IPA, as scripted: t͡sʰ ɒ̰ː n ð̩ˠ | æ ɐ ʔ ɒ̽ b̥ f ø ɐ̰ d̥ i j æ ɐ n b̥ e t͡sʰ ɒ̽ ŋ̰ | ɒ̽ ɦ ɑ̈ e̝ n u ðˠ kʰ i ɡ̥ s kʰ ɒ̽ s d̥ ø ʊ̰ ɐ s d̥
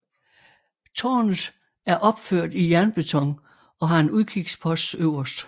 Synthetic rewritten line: t͡sʰ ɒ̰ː n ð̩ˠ | æ ɐ ʔ ɒ̽ b̥ f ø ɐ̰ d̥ i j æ ɐ n b̥ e t͡sʰ ɒ̽ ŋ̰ | ɒ̽ ɦ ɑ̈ e̝ n u ðˠ kʰ i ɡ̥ s pʰ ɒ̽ s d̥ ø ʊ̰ ɐ s d̥